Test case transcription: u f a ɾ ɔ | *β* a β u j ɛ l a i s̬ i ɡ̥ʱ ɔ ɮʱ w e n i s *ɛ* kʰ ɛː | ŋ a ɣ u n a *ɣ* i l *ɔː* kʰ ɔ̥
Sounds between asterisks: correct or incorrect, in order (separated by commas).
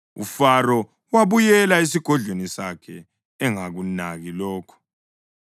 incorrect, incorrect, correct, correct